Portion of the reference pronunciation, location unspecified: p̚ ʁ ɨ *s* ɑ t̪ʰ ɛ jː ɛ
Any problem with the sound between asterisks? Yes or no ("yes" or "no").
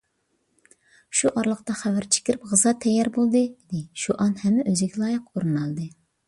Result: yes